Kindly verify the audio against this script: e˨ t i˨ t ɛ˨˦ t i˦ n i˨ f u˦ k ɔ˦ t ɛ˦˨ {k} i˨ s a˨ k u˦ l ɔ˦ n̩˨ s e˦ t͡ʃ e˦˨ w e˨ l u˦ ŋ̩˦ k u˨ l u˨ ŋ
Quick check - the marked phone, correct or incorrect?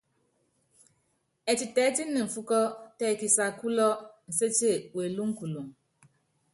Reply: correct